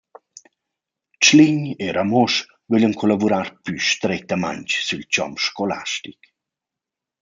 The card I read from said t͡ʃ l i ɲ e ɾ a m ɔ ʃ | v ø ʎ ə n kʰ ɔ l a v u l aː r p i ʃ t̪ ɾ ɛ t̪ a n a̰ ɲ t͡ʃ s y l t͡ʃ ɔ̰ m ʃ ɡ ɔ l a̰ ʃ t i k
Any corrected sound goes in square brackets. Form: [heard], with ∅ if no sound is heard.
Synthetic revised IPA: t͡ʃ l i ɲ e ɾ a m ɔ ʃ | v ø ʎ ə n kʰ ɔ l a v u [ɾ] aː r p [y] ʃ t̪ ɾ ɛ t̪ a [m] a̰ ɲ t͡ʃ s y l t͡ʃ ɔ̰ m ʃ [k] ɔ l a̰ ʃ t i k